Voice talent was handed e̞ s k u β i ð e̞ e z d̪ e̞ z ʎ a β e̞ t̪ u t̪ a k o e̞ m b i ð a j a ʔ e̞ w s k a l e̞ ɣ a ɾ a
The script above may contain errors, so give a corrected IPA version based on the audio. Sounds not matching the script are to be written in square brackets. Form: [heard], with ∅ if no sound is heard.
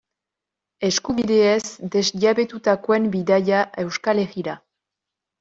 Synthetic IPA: e̞ s k u β i ð e̞ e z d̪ e̞ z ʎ a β e̞ t̪ u t̪ a k o e̞ m b i ð a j a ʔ e̞ w s k a l e̞ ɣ [i] ɾ a